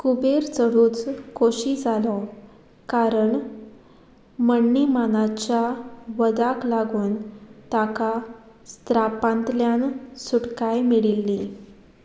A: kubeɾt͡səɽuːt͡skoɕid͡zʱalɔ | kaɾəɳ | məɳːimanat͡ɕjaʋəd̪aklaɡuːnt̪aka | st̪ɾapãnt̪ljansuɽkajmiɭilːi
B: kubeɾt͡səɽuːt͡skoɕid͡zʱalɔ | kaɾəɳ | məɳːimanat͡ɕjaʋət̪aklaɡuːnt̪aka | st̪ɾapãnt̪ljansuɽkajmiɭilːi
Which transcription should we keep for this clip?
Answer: A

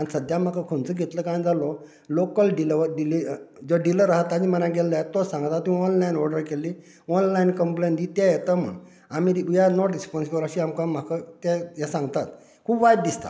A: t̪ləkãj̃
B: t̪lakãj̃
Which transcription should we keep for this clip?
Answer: A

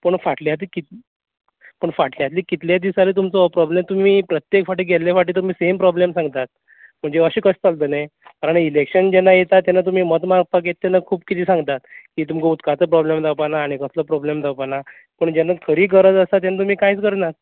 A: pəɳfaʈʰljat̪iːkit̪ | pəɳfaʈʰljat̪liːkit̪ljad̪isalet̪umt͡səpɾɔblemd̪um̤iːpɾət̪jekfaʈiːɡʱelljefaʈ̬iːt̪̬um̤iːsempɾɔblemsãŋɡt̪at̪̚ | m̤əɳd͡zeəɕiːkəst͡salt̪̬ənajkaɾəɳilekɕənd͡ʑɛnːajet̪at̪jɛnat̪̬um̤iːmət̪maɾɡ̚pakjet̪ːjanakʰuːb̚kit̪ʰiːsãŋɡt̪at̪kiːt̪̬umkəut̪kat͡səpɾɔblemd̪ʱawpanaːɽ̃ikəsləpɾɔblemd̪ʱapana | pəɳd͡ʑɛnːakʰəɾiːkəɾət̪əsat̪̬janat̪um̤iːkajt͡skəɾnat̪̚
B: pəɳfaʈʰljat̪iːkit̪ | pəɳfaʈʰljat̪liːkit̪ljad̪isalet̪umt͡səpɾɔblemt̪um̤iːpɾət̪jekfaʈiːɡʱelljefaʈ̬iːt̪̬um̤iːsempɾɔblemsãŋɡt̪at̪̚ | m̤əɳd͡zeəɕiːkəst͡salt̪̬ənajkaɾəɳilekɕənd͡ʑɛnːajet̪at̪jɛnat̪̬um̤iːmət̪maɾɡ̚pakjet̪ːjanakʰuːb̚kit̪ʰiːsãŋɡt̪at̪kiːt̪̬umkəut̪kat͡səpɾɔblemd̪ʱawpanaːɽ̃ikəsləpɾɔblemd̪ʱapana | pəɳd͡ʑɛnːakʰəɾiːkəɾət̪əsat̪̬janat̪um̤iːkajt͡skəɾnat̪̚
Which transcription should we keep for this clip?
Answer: B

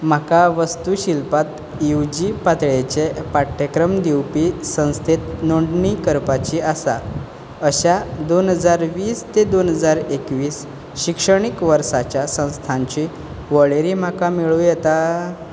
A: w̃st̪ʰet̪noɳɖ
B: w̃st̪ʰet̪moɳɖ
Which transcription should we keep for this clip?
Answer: A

